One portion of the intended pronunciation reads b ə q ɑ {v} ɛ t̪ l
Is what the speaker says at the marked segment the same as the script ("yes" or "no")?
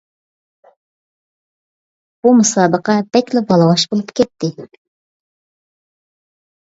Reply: no